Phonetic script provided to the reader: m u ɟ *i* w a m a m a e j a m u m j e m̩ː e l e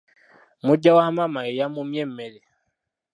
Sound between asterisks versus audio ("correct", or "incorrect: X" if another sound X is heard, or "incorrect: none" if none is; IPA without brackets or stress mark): incorrect: a